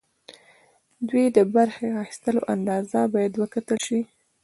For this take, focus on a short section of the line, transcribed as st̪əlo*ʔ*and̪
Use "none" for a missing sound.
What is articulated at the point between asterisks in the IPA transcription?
ʔ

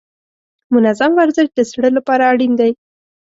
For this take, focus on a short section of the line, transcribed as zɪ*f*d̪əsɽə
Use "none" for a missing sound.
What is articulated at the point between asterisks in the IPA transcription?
ʃ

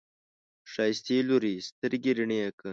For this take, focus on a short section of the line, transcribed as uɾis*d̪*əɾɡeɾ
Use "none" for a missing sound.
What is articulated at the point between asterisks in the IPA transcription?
t̪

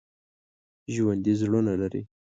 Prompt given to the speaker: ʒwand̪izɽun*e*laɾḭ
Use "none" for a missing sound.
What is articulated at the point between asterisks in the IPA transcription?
a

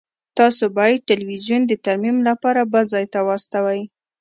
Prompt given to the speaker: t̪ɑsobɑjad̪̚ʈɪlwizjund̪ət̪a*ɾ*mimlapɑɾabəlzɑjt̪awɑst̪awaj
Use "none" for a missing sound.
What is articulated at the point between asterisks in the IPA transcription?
ɾ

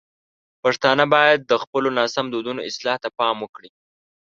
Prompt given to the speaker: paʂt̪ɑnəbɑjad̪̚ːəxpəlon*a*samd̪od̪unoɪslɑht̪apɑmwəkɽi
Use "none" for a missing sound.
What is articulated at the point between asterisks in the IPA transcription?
ɑ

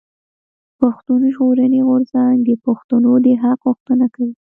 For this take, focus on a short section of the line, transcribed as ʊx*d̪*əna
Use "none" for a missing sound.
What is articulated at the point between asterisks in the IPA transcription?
t̪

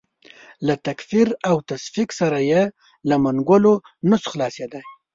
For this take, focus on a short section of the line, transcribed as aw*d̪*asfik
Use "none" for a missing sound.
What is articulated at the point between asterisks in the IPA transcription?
t̪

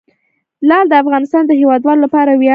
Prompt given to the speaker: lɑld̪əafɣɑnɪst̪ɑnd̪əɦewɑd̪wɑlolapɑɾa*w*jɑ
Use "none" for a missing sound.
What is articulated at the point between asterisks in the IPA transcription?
w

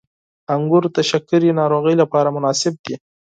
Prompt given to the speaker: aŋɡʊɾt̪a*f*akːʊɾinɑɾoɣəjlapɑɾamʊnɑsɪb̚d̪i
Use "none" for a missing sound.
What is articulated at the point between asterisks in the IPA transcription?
ʃ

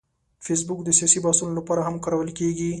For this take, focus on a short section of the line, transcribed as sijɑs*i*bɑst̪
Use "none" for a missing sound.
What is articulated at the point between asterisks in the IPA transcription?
i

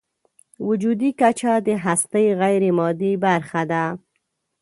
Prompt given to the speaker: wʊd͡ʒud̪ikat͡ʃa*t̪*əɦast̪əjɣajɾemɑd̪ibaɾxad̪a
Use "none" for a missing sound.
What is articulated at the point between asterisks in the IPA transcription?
d̪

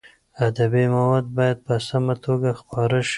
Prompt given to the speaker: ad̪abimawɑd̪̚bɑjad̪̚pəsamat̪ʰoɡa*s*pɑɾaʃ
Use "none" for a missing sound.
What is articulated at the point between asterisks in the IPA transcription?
x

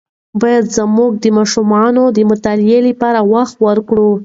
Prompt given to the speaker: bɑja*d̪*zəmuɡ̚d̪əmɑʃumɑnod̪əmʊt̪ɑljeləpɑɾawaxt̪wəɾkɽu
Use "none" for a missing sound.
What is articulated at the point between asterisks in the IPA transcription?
d̪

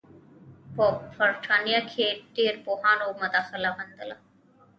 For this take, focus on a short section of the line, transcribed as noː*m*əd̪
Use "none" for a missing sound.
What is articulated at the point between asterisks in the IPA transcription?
m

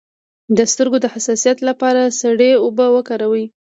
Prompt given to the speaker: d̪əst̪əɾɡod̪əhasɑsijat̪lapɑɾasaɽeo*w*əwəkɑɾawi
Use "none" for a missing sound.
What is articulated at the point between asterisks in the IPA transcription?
b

